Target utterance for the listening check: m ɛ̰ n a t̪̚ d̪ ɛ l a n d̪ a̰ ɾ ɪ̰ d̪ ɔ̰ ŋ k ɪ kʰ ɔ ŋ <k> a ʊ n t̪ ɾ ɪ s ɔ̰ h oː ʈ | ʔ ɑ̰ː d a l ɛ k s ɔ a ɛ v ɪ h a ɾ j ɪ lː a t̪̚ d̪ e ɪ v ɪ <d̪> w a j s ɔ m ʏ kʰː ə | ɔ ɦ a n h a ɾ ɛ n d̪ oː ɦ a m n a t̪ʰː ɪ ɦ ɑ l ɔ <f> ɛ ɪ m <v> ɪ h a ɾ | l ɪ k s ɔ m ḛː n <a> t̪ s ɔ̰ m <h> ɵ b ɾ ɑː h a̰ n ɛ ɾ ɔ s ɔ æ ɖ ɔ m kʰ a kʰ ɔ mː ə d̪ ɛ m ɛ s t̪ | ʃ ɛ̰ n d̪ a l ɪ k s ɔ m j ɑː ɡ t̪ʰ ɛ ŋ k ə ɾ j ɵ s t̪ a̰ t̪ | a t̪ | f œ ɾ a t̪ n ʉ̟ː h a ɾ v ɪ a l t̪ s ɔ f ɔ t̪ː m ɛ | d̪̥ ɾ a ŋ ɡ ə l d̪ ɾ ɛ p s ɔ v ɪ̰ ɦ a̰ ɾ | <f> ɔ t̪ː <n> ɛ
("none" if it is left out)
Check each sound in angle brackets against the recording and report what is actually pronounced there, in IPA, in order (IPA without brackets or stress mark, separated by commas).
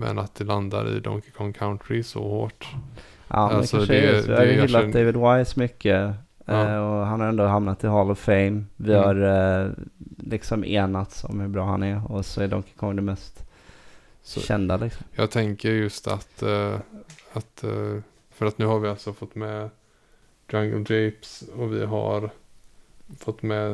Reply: kʰ, d̪, f, v, a, h, f, m